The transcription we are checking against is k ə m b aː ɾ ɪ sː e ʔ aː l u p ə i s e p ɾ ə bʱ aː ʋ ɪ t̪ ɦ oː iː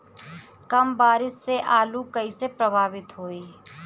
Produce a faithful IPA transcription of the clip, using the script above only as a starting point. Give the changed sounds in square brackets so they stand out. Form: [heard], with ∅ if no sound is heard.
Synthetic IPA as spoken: k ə m b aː ɾ ɪ sː e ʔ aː l u [k] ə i s e p ɾ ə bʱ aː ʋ ɪ t̪ ɦ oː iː

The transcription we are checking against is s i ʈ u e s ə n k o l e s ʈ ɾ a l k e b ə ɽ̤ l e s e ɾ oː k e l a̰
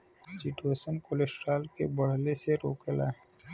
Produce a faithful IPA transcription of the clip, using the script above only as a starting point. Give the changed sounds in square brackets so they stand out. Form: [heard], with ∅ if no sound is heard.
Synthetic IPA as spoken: s i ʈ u e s ə n k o l e s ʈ ɾ a l k e b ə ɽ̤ l e s e ɾ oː k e l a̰

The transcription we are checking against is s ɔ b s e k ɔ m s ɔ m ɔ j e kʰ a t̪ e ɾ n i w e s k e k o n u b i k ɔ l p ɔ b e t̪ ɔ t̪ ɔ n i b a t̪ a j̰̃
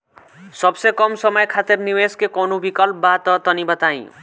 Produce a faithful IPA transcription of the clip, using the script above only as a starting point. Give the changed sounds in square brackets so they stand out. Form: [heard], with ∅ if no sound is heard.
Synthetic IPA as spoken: s ɔ b s e k ɔ m s ɔ m ɔ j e kʰ a t̪ e ɾ n i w e s k e k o n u b i k ɔ l p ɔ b [a] t̪ ɔ t̪ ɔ n i b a t̪ a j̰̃

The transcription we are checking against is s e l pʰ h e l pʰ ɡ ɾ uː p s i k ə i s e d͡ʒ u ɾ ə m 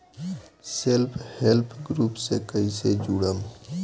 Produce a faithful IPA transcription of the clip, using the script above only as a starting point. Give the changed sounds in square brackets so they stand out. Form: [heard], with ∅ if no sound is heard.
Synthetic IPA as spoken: s e l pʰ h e l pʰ ɡ ɾ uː p s [e] k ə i s e d͡ʒ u [ɽ] ə m

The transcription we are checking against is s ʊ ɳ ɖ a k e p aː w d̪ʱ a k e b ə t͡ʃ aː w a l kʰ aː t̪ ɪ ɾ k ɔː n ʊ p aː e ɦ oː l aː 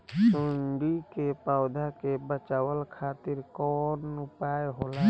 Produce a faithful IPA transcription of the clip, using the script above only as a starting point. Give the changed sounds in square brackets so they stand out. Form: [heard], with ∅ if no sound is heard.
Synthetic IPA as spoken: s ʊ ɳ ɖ [i] k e p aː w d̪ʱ a k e b ə t͡ʃ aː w [ə] l kʰ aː t̪ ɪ ɾ k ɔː n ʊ p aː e ɦ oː l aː

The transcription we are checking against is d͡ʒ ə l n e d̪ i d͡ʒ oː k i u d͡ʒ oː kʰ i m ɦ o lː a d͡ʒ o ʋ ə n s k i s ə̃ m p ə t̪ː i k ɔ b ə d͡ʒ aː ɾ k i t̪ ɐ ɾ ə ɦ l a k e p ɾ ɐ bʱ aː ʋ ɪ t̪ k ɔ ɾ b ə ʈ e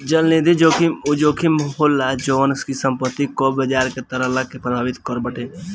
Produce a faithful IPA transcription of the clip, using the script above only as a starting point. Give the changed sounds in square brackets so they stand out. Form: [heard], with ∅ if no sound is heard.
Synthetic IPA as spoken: d͡ʒ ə l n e d̪ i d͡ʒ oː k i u d͡ʒ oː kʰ i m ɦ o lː a d͡ʒ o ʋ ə n s k i s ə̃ m p ə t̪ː i k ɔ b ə d͡ʒ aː ɾ k [e] t̪ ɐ ɾ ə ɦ l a k e p ɾ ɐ bʱ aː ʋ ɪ t̪ k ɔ ɾ b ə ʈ e

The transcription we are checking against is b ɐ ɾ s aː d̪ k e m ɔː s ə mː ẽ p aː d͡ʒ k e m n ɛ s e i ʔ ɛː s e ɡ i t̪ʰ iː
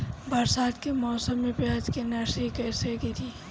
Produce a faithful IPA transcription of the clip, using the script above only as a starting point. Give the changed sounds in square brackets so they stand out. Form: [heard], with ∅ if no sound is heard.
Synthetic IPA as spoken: b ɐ ɾ s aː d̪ k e m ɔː s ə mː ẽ p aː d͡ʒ k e [∅] n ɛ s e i [k] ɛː s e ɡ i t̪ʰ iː

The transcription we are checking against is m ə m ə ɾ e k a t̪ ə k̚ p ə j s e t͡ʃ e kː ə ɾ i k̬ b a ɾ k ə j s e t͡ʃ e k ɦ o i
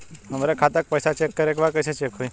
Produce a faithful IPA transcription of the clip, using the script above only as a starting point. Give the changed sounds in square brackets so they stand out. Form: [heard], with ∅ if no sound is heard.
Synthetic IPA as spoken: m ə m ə ɾ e [kʰ] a t̪ ə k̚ p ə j s [a] t͡ʃ e kː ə ɾ [e] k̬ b a ɾ k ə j s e t͡ʃ e k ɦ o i

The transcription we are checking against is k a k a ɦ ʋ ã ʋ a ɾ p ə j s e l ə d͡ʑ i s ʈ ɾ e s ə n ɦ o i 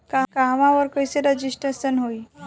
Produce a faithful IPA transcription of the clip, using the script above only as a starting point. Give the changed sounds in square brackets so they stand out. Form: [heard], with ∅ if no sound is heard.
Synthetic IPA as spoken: k a k a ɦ ʋ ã ʋ [ə] ɾ [k] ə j s e [ɾ] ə d͡ʑ i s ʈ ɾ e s ə n ɦ o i

